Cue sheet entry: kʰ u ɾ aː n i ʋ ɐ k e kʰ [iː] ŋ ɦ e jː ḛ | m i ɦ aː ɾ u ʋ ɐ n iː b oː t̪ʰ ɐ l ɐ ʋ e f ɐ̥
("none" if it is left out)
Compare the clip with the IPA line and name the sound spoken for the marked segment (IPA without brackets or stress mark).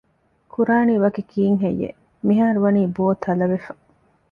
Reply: iː